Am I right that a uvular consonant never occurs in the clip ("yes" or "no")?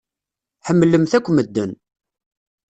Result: yes